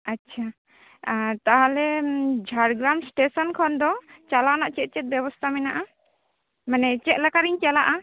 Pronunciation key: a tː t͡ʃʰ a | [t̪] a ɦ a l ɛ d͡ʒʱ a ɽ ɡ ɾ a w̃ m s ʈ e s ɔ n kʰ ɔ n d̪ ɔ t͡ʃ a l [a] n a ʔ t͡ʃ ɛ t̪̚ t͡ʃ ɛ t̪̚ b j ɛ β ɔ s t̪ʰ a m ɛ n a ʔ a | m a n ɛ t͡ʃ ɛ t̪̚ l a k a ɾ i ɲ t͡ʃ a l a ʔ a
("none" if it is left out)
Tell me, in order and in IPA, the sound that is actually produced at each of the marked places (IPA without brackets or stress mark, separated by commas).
t̪, a